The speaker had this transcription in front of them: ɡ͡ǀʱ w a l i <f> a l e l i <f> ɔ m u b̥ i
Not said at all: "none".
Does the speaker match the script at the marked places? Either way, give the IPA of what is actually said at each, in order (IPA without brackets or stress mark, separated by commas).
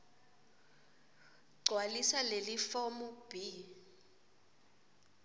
s, f